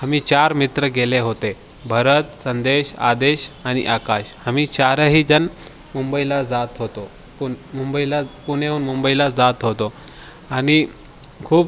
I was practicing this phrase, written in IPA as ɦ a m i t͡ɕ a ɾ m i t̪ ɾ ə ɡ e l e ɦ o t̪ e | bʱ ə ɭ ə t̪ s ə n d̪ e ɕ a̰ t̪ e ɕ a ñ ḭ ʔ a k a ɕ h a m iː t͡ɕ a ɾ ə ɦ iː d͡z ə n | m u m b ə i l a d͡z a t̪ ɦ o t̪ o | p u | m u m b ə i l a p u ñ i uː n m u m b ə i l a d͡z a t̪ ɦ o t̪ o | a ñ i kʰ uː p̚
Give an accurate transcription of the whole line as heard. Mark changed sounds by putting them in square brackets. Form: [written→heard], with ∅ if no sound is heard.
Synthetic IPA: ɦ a m i t͡ɕ a ɾ m i t̪ ɾ ə ɡ e l e ɦ o t̪ e | bʱ ə [ɭ→ɾ] ə t̪ s ə n d̪ e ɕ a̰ [t̪→d̪] e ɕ a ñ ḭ ʔ a k a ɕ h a m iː t͡ɕ a ɾ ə ɦ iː d͡z ə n | m u m b ə i l a d͡z a t̪ ɦ o t̪ o | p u | m u m b ə i l a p u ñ [i→e] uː n m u m b ə i l a d͡z a t̪ ɦ o t̪ o | a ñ i kʰ uː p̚